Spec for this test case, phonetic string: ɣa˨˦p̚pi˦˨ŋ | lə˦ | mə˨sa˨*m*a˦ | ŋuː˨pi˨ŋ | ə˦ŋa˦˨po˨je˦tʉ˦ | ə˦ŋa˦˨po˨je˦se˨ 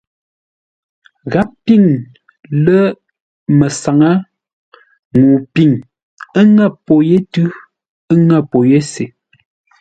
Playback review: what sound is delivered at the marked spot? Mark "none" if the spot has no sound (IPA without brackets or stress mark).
ŋ